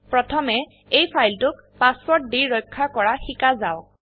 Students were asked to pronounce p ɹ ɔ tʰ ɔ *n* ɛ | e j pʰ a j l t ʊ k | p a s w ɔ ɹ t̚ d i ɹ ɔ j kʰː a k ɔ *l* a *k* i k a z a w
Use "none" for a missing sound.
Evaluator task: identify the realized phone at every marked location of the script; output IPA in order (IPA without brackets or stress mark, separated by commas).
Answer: m, ɹ, x